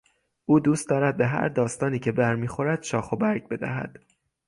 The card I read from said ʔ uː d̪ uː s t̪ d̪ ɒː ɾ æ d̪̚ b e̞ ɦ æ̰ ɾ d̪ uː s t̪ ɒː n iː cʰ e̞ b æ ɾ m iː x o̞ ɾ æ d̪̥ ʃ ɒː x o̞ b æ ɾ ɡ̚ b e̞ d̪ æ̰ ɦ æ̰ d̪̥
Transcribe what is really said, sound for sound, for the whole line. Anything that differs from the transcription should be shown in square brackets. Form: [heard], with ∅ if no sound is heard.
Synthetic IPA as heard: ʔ uː d̪ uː s t̪ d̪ ɒː ɾ æ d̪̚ b e̞ ɦ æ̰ ɾ d̪ [ɒː] s t̪ ɒː n iː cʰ e̞ b æ ɾ m iː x o̞ ɾ æ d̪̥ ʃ ɒː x o̞ b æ ɾ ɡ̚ b e̞ d̪ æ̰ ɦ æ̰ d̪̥